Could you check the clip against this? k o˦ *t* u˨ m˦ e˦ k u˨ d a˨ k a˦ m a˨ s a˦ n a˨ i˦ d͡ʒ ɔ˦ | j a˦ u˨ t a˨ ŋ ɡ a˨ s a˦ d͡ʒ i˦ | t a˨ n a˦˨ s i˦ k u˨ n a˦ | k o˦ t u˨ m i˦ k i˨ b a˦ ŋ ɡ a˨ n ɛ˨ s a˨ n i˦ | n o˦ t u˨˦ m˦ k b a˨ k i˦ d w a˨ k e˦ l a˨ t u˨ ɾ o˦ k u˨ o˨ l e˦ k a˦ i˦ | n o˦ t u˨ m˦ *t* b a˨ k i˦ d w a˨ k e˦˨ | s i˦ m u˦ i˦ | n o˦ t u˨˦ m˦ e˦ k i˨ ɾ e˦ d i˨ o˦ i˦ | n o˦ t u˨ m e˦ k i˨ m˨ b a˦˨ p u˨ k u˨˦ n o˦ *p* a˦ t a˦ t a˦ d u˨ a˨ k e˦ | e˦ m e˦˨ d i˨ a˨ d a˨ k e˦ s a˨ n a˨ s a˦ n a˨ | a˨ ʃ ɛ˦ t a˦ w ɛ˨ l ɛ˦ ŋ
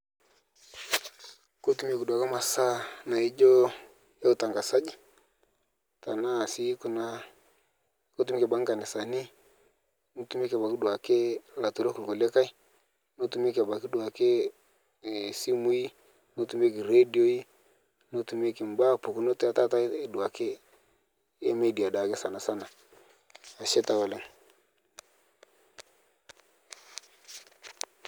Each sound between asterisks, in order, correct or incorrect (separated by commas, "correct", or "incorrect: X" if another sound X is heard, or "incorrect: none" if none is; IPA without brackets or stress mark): correct, incorrect: k, incorrect: t